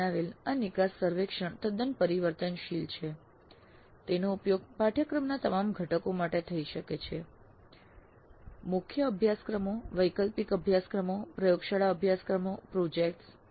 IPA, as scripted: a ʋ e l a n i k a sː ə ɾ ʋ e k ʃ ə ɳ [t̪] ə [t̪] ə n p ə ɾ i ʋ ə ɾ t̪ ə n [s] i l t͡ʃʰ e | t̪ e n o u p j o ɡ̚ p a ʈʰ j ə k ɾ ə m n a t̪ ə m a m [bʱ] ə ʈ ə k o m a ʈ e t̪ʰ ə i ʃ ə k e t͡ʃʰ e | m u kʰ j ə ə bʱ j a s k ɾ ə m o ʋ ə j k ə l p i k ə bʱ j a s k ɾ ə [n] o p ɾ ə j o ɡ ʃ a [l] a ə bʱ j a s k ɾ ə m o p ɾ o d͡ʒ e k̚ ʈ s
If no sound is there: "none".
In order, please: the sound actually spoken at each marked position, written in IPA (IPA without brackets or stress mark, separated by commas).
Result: t̪, d̪, ʃ, ɡʱ, m, ɭ